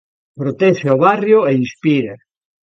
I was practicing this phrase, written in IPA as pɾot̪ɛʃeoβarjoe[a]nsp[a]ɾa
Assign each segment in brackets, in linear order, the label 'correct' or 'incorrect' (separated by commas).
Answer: incorrect, incorrect